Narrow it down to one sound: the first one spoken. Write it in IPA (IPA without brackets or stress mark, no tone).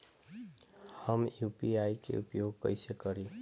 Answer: h